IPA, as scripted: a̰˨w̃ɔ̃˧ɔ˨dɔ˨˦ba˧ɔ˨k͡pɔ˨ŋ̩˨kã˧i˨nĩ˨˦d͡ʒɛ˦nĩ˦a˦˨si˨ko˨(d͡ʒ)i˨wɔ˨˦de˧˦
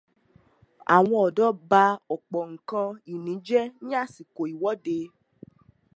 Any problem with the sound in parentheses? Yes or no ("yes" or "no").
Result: yes